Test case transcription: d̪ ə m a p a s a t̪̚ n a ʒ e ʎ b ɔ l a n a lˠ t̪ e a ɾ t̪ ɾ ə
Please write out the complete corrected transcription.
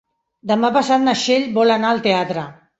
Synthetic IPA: d̪ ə m a p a s a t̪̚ n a ʃ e ʎ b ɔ l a n a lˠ t̪ e a t̪ ɾ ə